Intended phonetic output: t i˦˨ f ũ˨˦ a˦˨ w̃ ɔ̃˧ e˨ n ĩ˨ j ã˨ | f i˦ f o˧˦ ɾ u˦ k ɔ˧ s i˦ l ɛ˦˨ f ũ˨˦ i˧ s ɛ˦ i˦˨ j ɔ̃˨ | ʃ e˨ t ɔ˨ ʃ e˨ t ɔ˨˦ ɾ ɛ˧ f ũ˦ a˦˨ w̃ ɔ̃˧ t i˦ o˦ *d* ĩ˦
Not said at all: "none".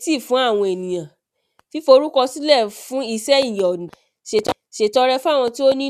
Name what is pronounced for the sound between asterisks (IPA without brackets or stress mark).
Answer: n